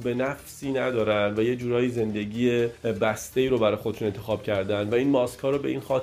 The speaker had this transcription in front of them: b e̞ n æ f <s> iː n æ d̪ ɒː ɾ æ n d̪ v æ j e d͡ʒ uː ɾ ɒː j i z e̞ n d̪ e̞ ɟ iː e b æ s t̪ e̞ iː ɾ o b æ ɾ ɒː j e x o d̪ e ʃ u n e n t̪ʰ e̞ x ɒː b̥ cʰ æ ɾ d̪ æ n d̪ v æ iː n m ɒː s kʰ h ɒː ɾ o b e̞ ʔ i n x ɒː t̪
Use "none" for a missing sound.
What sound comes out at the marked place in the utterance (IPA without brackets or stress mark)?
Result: s